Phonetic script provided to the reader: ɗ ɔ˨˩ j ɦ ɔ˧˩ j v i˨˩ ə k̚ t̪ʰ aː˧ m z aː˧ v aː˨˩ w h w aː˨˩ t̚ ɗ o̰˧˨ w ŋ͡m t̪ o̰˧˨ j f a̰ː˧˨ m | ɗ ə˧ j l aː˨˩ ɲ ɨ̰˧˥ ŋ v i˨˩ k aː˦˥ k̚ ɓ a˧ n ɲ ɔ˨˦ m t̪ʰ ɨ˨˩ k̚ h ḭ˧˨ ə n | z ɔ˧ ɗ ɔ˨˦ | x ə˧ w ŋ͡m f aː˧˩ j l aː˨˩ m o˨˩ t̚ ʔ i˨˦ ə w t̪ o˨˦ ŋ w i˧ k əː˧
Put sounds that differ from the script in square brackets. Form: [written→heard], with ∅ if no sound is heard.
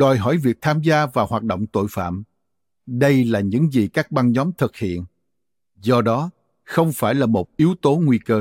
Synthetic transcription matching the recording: ɗ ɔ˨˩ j ɦ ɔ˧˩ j v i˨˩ ə k̚ t̪ʰ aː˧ m z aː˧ v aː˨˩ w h w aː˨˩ t̚ ɗ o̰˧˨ w ŋ͡m t̪ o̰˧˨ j f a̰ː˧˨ m | ɗ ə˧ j l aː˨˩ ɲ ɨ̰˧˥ ŋ [v→z] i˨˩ k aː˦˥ k̚ ɓ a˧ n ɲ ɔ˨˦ m t̪ʰ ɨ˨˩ k̚ h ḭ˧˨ ə n | z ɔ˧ ɗ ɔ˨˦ | x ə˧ w ŋ͡m f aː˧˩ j l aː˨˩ m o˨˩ t̚ ʔ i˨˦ ə w t̪ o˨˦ ŋ w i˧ k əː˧